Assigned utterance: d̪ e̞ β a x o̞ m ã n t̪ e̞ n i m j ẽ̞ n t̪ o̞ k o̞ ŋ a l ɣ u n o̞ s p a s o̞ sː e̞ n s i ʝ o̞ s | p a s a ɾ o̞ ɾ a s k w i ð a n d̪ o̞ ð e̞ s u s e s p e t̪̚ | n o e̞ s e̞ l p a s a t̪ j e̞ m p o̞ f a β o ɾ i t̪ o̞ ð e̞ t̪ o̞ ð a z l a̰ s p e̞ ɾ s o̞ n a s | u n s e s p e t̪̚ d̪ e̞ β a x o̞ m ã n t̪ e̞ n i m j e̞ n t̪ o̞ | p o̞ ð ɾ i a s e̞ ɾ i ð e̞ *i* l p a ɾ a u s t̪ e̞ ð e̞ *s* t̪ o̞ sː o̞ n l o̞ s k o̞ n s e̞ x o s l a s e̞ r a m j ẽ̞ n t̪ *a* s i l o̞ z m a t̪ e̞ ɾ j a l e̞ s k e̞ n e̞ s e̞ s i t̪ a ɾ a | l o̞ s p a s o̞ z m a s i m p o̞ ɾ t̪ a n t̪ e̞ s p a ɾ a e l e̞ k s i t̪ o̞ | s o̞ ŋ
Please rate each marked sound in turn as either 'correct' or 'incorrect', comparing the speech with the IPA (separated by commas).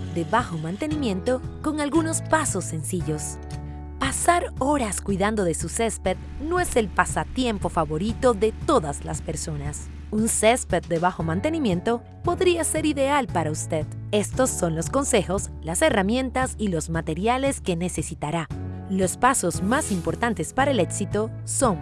incorrect, correct, correct